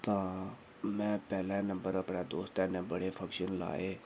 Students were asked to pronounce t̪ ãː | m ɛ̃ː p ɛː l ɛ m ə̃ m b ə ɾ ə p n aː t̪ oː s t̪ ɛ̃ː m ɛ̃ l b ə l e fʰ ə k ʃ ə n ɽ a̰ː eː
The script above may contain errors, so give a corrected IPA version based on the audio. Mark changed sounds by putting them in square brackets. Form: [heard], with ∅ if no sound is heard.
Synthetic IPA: t̪ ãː | m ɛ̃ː p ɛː l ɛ [n] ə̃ m b ə ɾ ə p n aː [d̪] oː s t̪ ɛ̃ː [n] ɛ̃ [∅] b ə [ɽ] e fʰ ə k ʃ ə n [l] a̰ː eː